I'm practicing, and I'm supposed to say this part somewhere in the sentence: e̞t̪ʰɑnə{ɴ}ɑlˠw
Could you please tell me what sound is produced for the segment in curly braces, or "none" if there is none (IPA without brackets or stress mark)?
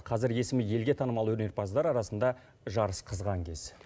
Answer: m